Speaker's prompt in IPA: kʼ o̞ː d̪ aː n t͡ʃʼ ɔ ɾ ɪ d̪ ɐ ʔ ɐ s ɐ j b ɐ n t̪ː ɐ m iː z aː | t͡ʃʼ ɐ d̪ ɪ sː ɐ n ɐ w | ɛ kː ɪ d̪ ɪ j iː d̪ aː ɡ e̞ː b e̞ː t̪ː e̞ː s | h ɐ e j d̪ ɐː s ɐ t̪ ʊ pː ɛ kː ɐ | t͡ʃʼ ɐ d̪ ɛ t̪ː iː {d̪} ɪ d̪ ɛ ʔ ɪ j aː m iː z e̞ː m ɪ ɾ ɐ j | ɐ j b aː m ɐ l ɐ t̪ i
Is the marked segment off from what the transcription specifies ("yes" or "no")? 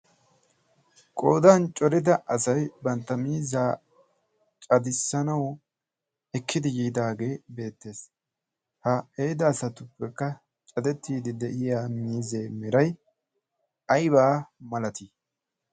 no